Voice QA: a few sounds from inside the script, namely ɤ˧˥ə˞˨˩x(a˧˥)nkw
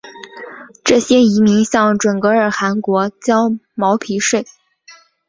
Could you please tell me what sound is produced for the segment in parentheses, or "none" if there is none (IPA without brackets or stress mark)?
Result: a˧˥